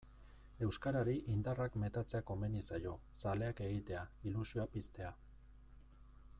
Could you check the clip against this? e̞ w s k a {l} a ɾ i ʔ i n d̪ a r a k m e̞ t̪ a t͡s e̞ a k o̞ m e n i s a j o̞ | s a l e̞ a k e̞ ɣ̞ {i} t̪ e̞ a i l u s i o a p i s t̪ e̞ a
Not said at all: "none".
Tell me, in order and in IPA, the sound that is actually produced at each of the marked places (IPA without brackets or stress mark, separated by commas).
ɾ, i